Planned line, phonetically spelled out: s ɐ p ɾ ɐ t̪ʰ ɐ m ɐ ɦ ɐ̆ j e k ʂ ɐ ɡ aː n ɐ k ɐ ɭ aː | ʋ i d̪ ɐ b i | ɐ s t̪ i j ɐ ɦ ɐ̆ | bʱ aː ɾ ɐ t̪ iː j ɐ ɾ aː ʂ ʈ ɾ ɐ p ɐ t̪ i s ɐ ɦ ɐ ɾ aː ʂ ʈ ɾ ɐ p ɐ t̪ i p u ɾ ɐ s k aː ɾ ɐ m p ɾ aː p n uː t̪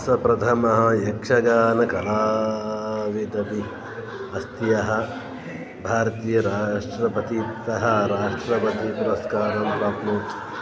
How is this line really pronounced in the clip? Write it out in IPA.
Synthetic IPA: s ɐ p ɾ ɐ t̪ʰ ɐ m ɐ ɦ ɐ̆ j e k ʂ ɐ ɡ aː n ɐ k ɐ l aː | ʋ i d̪ ɐ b i | ɐ s t̪ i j ɐ ɦ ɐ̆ | bʱ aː ɾ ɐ t̪ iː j ɐ ɾ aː ʂ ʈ ɾ ɐ p ɐ t̪ i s ɐ ɦ ɐ ɾ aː ʂ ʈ ɾ ɐ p ɐ t̪ i p u ɾ ɐ s k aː ɾ ɐ m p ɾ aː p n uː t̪